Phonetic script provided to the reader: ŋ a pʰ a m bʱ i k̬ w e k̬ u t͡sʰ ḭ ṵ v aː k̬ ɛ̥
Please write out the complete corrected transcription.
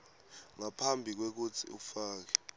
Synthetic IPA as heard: ŋ a pʰ a m bʱ i k̬ w e k̬ u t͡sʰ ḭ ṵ f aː k̬ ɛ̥